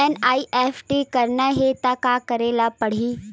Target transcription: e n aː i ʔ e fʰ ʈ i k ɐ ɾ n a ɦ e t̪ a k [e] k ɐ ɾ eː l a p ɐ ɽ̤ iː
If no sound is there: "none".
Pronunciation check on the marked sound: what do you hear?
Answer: a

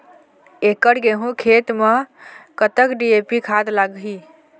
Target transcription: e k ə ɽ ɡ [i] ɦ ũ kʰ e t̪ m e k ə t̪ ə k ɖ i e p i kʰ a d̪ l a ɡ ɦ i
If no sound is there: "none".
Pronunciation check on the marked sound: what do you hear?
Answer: e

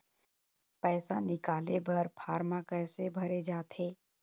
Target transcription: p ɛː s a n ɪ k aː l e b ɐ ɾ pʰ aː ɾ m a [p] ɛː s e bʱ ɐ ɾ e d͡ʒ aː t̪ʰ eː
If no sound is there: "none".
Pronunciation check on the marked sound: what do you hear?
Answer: k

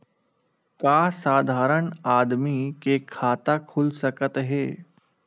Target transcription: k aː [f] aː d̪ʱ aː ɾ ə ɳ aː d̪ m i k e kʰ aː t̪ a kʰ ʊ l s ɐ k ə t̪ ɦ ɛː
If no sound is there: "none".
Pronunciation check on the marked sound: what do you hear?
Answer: s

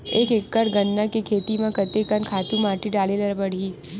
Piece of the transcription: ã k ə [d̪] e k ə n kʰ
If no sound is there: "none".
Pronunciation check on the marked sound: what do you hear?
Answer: t̪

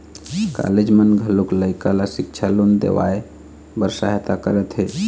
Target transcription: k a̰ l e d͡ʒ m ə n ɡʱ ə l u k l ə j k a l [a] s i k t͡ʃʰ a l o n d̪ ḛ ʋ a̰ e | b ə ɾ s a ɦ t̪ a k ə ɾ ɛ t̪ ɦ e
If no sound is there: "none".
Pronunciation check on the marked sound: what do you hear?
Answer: a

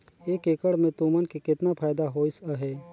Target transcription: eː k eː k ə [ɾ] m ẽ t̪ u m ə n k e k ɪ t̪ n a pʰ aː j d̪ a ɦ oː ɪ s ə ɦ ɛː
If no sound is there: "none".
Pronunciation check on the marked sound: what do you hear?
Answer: ɽ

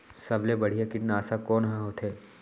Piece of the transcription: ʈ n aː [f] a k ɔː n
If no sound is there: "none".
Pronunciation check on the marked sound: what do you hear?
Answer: s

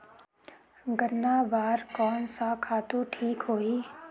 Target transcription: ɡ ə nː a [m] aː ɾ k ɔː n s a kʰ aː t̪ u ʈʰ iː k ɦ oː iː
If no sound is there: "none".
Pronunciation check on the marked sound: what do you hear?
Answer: b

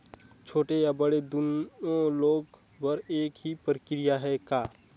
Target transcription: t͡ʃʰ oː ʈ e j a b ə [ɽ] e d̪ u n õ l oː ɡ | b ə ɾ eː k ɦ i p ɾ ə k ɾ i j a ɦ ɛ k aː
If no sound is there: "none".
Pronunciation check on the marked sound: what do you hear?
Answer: ɽ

